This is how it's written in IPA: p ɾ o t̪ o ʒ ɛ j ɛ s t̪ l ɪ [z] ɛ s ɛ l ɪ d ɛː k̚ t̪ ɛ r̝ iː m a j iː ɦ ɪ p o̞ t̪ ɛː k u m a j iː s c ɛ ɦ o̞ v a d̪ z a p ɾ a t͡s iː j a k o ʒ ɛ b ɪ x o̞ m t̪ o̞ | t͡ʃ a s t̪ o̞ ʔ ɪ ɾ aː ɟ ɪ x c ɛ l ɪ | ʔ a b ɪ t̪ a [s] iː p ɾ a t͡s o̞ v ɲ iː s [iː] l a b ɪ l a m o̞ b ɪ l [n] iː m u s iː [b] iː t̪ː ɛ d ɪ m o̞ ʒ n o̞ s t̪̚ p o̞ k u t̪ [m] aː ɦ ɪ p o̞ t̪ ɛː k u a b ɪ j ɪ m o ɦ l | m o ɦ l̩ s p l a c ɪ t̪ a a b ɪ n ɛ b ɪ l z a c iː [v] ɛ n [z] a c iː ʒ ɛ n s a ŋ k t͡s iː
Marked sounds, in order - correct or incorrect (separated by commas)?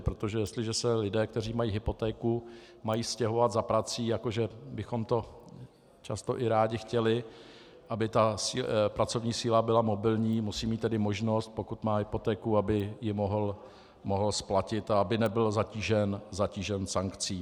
incorrect, correct, correct, incorrect, incorrect, correct, incorrect, correct